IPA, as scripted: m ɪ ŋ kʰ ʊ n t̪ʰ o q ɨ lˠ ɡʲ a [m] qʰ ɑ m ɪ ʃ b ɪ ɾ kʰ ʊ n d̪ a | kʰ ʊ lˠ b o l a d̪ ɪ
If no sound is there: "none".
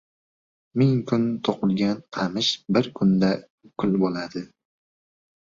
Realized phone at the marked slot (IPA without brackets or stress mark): n